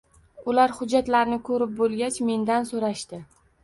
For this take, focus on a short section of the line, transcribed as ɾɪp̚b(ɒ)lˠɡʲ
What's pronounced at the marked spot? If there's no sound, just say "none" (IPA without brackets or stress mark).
o